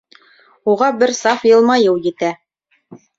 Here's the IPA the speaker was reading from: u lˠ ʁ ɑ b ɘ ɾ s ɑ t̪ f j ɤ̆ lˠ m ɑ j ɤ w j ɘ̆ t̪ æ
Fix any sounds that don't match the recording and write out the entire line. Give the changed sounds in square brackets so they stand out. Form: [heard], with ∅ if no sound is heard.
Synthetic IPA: u [∅] ʁ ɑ b ɘ ɾ s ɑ [∅] f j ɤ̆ lˠ m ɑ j ɤ w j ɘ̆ t̪ æ